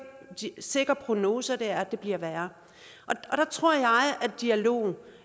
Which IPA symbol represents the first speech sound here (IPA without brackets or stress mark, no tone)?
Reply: s